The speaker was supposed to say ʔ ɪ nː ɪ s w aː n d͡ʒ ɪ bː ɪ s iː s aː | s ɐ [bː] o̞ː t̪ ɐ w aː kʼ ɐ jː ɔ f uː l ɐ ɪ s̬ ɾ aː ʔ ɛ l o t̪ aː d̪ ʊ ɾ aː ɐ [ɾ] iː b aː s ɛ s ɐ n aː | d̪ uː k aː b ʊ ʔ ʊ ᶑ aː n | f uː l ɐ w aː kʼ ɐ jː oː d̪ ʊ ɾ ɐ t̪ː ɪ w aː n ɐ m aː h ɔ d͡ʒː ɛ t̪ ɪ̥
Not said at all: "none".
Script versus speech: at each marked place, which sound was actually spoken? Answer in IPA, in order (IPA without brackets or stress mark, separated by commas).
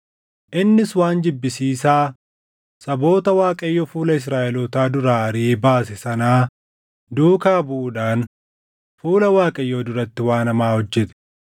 b, ɾ